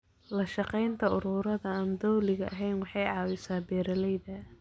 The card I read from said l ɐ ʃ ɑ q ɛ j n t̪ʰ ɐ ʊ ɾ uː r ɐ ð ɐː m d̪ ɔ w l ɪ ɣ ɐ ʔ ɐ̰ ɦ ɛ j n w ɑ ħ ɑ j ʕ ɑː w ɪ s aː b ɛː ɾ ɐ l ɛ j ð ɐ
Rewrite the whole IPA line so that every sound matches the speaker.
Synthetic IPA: l ɐ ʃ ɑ q ɛ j n t̪ʰ ɐ ʊ ɾ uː ɾ ɐ ð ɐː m d̪ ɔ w l ɪ ɣ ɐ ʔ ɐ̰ ɦ ɛ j n w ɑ ħ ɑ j ʕ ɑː w ɪ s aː b ɛː ɾ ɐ l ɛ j ð ɐ